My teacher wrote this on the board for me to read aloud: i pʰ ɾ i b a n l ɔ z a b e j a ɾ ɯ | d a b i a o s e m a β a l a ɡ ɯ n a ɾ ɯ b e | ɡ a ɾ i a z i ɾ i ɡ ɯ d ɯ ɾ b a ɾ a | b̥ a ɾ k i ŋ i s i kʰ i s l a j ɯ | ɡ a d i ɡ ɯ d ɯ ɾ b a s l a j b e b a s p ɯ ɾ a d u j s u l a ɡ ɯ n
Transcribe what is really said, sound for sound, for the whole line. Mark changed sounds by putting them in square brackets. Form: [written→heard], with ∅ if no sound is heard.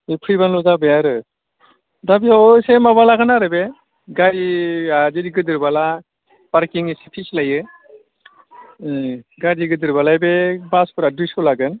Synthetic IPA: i pʰ ɾ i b a n l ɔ z a b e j a ɾ ɯ | d a b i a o s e m a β a l a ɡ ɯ n a ɾ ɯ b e | ɡ a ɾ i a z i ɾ i ɡ ɯ d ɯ ɾ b a [ɾ→l] a | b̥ a ɾ k i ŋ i s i [kʰ→pʰ] i s l a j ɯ | ɡ a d i ɡ ɯ d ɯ ɾ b a [s→∅] l a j b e b a s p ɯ ɾ a d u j s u l a ɡ ɯ n